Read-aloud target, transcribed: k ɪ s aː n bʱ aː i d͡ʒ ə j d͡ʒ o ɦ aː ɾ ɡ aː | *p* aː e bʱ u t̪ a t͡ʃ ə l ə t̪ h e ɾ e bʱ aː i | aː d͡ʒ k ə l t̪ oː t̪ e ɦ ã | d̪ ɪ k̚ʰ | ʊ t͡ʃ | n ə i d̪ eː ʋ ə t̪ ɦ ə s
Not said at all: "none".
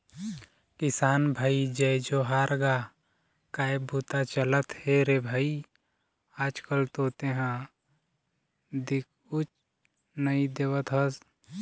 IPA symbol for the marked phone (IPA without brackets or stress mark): k